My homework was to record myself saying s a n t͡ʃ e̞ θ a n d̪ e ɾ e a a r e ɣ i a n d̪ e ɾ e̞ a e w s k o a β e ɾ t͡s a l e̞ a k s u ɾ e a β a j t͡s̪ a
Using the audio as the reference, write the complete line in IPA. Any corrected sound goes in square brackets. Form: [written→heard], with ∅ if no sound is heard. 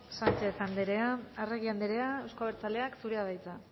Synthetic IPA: s a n t͡ʃ e̞ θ a n d̪ e ɾ e a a r e ɣ i a n d̪ e ɾ e̞ a e w s k o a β e ɾ t͡s a l e̞ a k s u ɾ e a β a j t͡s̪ a